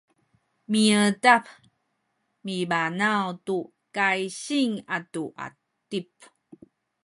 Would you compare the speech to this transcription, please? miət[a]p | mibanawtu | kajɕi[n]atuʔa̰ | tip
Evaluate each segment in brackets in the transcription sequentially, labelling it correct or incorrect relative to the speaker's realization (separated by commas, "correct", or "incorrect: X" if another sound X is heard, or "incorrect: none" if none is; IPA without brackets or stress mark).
correct, incorrect: ŋ